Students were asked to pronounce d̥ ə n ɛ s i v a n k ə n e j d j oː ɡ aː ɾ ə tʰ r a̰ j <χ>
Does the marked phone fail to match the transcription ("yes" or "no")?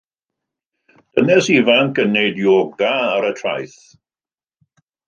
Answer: yes